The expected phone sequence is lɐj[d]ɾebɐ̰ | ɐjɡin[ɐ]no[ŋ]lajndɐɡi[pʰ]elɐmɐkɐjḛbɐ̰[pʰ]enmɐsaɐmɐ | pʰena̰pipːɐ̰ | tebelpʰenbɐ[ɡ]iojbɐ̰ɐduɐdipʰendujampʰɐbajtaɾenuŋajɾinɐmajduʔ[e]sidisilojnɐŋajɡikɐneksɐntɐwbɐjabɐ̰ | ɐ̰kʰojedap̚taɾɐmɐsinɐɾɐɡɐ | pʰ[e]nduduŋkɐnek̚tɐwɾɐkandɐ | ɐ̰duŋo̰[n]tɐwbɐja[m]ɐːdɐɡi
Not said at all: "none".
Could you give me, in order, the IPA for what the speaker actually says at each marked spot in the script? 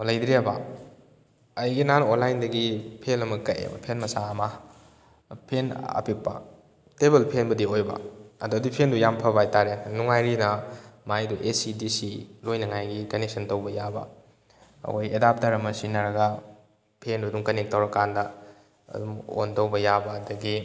d, a, n, pʰ, pʰ, d, e, e, n, b

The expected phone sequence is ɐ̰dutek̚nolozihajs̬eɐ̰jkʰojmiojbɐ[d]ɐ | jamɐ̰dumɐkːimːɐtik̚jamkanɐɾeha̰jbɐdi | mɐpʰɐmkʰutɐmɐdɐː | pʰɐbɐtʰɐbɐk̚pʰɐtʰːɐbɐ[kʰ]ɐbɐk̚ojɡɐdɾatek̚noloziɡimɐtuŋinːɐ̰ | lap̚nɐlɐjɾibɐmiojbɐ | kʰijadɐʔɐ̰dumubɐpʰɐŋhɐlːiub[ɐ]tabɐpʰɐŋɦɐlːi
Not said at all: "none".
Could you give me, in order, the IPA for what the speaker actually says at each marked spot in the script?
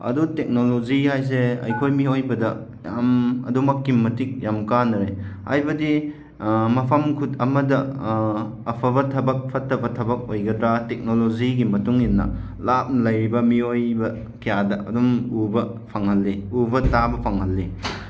d, tʰ, ɐ

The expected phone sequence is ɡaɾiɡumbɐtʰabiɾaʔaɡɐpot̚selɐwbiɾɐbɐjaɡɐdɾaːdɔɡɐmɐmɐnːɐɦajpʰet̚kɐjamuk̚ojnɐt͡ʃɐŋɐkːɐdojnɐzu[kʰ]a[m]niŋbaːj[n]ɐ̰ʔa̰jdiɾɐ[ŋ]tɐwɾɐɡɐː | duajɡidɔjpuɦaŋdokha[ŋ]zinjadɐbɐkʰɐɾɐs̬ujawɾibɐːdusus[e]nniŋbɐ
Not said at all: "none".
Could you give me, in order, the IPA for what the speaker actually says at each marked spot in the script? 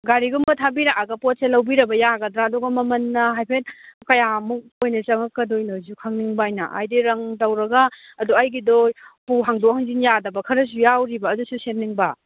kʰ, ŋ, n, ŋ, ŋ, e

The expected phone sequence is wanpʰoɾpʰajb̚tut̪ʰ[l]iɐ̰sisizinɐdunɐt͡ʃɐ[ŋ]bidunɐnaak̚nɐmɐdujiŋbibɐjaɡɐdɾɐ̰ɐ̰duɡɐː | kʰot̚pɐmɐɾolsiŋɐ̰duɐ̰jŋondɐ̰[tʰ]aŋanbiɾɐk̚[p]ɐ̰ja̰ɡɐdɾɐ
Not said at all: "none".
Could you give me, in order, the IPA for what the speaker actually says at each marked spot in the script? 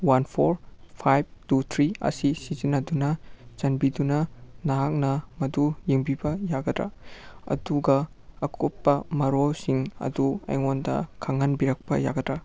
ɾ, n, kʰ, p

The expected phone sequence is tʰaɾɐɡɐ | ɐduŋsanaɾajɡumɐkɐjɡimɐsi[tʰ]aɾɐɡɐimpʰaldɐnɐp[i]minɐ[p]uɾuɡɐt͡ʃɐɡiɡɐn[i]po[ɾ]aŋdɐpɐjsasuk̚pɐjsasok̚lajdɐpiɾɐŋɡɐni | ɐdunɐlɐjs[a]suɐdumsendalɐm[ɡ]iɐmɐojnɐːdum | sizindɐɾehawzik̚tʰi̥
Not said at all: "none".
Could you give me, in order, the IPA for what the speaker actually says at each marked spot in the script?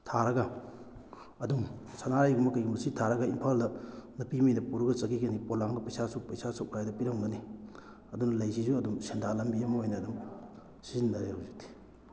tʰ, i, p, i, l, i, b

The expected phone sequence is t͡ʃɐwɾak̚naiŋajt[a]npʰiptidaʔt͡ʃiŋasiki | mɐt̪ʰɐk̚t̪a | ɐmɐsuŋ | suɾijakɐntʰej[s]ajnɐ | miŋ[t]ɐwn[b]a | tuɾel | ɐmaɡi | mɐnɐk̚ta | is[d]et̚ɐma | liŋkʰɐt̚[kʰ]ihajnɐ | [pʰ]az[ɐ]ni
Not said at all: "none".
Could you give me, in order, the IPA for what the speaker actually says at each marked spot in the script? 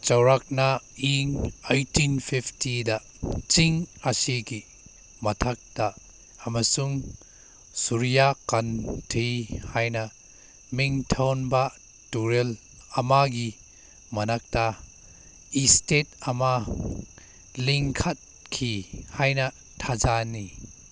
i, h, tʰ, b, t, kʰ, tʰ, a

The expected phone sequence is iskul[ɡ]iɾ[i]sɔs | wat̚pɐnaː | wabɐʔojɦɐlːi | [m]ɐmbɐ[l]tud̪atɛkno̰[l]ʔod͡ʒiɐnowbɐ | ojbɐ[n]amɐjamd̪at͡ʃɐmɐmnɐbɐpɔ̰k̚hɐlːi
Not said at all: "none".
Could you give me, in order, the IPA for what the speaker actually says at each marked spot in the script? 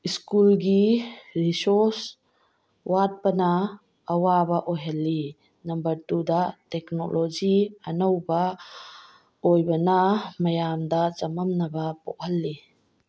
ɡ, i, n, ɾ, l, n

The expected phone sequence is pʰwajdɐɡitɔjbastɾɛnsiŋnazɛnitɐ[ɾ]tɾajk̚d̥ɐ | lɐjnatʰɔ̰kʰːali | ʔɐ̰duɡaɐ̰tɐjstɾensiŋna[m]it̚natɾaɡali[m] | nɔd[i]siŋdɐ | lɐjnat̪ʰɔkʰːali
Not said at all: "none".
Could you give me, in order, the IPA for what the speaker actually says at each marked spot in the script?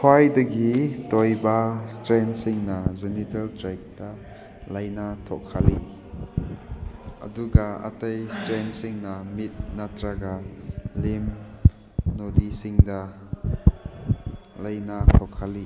l, m, m, i

